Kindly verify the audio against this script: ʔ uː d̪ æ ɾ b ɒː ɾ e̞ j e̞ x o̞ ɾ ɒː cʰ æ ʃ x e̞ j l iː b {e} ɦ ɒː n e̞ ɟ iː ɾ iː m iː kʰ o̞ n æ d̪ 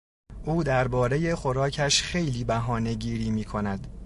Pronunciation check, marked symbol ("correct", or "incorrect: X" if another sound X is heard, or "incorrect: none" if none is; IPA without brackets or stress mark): incorrect: æ